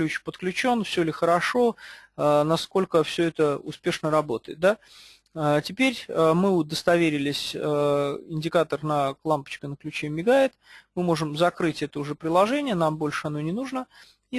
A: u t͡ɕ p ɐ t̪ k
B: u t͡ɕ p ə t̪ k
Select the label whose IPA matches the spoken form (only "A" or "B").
B